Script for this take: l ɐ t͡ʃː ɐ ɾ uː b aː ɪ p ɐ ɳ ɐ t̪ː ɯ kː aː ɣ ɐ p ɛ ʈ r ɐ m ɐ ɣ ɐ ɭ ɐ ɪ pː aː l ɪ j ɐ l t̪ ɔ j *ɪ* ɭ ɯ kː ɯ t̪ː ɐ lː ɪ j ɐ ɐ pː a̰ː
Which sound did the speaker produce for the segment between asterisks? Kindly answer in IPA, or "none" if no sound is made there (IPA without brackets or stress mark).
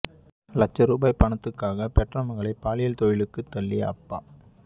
ɪ